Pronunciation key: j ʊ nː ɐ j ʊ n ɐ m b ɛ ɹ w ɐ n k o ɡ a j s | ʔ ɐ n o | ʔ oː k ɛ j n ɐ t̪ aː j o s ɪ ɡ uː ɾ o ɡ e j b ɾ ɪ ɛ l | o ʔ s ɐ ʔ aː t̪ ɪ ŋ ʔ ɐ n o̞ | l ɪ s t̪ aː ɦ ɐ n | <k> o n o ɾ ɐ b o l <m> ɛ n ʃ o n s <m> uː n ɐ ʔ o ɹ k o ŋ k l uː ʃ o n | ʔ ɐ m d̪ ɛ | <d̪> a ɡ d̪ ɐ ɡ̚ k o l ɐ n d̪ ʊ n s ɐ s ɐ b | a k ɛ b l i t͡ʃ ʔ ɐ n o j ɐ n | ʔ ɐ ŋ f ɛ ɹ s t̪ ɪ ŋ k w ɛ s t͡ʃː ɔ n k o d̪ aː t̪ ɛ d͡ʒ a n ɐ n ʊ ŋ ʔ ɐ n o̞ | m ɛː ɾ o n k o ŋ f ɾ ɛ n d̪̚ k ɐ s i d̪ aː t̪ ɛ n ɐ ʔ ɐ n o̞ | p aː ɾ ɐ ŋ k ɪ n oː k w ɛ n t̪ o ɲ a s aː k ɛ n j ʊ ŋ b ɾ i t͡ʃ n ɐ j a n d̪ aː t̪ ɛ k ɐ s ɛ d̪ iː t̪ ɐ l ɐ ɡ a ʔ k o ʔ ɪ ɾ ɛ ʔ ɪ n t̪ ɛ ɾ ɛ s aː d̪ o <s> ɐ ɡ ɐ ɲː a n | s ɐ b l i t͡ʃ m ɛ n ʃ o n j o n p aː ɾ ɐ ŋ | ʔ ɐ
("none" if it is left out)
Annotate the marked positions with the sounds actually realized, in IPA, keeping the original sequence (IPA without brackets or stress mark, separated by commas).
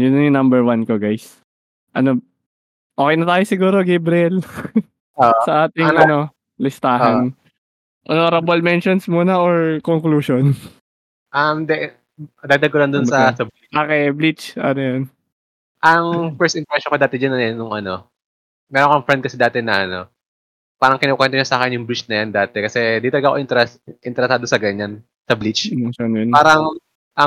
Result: ʔ, m, m, d̪, s